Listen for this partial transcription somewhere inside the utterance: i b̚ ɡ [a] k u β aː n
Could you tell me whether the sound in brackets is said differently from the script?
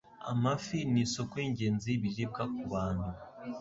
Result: no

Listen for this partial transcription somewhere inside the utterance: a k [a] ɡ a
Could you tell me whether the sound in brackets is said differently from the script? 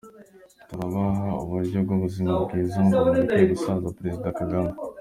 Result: no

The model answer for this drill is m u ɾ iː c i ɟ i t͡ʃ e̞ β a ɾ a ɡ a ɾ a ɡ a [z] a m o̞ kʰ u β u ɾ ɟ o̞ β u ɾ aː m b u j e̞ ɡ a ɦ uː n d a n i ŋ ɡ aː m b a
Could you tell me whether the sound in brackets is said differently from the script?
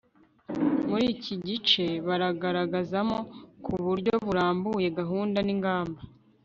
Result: no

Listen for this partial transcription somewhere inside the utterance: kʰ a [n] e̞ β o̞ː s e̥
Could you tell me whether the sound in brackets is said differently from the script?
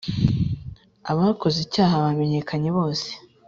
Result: yes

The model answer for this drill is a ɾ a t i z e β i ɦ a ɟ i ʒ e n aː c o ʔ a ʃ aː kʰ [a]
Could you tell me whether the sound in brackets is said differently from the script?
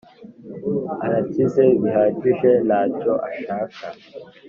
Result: no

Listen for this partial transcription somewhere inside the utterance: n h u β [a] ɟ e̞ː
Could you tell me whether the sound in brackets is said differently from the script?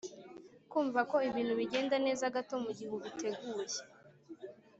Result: yes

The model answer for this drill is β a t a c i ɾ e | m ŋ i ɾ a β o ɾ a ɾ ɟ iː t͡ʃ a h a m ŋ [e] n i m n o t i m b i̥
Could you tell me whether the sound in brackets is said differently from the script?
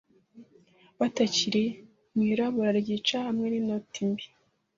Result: no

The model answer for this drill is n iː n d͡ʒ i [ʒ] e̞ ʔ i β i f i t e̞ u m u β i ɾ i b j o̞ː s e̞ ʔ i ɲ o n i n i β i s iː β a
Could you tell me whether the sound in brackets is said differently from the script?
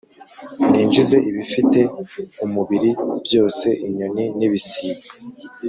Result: yes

